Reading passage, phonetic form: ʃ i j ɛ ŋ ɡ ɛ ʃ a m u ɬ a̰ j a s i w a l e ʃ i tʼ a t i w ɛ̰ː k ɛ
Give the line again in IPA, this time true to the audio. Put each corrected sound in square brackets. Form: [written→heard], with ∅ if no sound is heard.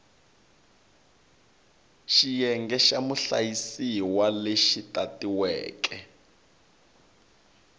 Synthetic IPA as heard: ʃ i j ɛ ŋ ɡ ɛ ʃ a m u ɬ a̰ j [a→i] s i w a l e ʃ i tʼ a t i w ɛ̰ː k ɛ